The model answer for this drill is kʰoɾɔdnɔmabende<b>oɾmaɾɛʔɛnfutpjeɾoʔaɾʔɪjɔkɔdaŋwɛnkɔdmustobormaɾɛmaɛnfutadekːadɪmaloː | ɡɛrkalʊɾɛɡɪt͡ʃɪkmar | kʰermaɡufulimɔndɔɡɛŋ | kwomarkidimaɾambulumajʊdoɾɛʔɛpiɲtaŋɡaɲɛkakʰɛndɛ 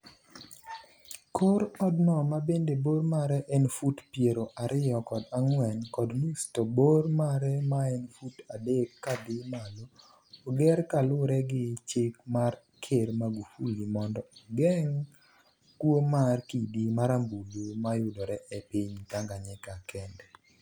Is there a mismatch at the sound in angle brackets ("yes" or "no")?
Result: no